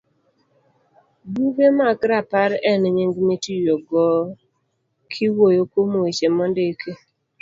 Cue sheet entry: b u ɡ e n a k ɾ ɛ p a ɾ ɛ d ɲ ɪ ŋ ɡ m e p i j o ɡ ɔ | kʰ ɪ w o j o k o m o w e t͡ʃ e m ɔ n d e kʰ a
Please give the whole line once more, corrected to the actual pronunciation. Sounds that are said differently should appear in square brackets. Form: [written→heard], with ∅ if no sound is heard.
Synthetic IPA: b u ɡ e [n→m] a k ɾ [ɛ→a] p a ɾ ɛ [d→n] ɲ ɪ ŋ ɡ m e [p→t] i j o ɡ ɔ | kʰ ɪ w o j o k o m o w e t͡ʃ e m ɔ n d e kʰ [a→e]